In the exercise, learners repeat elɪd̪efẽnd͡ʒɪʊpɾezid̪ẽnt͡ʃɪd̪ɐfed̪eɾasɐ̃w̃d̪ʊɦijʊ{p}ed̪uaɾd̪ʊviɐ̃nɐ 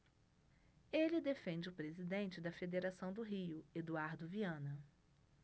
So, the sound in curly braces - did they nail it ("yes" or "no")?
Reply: no